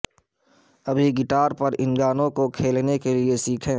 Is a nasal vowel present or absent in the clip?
present